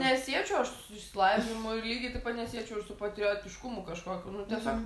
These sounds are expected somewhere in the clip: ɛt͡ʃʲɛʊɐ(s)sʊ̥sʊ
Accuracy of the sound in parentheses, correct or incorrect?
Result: incorrect